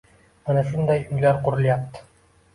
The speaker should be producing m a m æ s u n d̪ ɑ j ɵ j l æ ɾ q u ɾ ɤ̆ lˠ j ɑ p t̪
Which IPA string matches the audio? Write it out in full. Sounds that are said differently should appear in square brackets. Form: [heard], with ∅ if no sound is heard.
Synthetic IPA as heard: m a [n] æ [ʃ] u n d̪ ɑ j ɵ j l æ ɾ q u ɾ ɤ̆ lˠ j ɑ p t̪